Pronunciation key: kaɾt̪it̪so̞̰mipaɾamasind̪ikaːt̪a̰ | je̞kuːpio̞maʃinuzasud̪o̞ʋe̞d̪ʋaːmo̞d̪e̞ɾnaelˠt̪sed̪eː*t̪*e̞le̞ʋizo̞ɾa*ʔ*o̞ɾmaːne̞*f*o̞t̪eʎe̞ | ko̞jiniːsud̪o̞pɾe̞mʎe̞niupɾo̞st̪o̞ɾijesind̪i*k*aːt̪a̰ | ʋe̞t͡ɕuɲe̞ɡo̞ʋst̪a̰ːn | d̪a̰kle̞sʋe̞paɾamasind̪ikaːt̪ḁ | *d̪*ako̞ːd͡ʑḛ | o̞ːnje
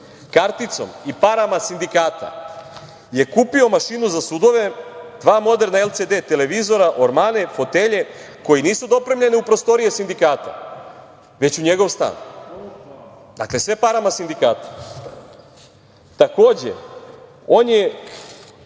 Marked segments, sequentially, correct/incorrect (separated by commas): correct, correct, correct, correct, incorrect